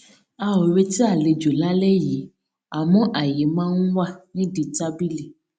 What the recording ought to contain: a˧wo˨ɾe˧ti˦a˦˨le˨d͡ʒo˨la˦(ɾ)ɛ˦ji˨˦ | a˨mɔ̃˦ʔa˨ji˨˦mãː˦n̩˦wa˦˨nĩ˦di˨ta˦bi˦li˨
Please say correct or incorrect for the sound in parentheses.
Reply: incorrect